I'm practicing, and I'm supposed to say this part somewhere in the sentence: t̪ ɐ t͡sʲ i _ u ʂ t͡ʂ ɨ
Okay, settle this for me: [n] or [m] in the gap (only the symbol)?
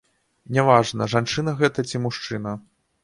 m